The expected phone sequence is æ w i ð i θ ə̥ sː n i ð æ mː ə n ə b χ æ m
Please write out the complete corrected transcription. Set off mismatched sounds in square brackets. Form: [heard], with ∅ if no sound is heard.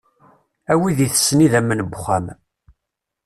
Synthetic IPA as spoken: æ w i ð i θ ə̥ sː n i ð æ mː ə n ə b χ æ m